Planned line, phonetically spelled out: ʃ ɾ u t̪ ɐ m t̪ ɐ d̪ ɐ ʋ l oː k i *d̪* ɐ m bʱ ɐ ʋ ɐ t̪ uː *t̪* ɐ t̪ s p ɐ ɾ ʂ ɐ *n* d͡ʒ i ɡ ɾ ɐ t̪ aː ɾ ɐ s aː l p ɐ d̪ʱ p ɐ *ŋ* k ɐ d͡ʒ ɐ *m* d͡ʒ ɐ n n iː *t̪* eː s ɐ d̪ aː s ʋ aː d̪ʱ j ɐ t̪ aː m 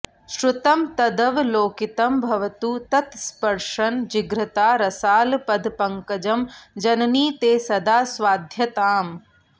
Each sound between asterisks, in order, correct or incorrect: incorrect: t̪, correct, correct, correct, correct, correct

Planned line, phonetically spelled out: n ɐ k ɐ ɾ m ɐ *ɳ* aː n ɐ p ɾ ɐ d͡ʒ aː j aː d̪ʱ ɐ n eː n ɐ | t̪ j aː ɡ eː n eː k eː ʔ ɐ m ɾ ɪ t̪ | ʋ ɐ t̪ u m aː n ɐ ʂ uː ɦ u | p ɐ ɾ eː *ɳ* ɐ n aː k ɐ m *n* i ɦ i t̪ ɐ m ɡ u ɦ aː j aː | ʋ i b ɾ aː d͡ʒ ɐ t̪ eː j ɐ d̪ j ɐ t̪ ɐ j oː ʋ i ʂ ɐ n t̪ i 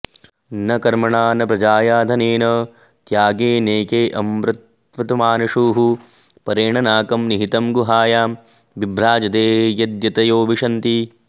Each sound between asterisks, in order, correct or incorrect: correct, correct, correct

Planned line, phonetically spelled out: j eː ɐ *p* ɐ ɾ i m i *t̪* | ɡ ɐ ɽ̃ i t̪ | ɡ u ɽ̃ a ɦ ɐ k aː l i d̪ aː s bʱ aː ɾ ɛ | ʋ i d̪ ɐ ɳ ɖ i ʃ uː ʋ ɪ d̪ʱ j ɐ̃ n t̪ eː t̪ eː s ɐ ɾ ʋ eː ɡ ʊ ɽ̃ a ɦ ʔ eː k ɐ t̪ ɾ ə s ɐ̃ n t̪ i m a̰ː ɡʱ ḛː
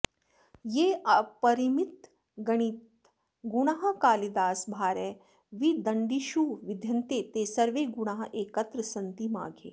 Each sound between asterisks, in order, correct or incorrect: correct, correct

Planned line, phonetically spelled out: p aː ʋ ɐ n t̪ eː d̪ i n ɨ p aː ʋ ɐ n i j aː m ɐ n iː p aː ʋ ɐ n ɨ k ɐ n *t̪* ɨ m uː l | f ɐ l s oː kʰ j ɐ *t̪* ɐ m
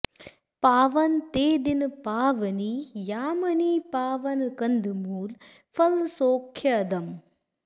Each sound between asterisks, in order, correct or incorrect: incorrect: d̪, incorrect: d̪

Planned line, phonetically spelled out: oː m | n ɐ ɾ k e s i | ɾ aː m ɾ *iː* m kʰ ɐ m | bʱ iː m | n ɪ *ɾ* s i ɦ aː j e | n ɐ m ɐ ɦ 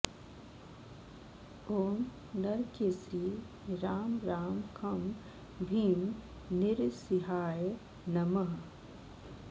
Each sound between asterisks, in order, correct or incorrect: incorrect: aː, correct

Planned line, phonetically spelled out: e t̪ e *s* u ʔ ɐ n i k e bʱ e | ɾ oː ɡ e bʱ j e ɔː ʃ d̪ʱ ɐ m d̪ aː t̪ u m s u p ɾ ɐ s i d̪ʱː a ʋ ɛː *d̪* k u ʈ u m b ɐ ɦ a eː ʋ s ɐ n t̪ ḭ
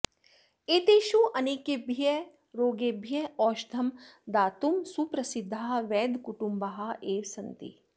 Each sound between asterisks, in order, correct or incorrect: incorrect: ʃ, correct

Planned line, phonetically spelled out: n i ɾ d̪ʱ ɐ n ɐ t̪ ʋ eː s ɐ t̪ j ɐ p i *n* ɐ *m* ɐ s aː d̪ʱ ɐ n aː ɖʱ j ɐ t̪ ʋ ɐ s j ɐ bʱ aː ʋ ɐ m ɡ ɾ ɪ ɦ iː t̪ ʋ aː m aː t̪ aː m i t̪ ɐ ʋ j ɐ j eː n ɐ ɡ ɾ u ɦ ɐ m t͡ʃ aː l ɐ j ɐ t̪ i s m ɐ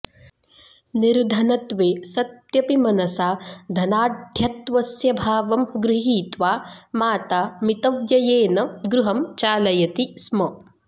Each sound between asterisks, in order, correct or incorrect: incorrect: m, incorrect: n

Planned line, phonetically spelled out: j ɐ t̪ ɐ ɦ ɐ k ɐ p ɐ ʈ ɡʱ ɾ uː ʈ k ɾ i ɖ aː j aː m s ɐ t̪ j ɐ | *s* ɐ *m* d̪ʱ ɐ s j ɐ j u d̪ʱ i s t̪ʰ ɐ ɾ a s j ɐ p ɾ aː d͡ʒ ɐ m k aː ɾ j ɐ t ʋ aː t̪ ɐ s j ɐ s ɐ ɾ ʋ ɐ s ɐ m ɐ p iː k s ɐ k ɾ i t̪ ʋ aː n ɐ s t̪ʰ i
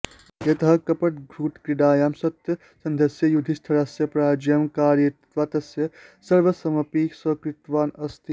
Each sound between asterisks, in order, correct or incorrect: correct, incorrect: n

